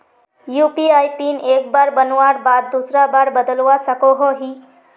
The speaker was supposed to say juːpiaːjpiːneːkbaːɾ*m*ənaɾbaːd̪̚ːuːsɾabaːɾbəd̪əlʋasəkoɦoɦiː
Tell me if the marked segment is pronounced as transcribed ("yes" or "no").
no